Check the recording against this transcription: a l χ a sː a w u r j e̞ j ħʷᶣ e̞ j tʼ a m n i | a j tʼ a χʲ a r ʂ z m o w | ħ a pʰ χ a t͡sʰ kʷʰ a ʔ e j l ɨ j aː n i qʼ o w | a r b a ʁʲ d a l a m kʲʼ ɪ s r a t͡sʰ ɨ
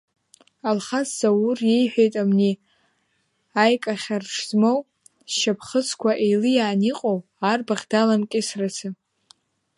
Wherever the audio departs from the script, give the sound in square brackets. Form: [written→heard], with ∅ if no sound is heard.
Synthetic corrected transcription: a l χ a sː a w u r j e̞ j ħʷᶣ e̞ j tʼ a m n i | a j [tʼ→kʼ] a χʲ a r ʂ z m o w | [ħ→ʃ] a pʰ χ [a→ə] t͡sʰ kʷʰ a ʔ e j l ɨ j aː n i qʼ o w | a r b a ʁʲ d a l a m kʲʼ ɪ s r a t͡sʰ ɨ